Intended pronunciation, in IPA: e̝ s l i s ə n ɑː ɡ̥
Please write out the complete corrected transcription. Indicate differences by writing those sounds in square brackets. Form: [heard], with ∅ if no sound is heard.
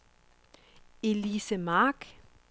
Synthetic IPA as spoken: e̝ [∅] l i s ə [m] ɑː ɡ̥